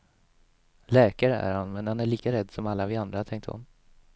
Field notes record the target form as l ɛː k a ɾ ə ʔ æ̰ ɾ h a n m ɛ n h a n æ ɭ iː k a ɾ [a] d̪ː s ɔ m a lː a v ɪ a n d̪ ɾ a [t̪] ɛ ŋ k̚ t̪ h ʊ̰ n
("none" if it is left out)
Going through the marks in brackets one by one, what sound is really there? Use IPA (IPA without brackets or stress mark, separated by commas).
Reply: ɛ, t̪ʰ